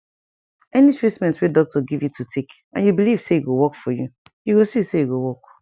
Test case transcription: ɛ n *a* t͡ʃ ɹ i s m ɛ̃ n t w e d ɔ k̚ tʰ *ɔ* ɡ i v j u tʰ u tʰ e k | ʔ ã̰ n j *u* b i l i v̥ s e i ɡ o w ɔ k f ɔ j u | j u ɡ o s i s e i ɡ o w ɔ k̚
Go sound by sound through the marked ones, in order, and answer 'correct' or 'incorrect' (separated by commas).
incorrect, correct, correct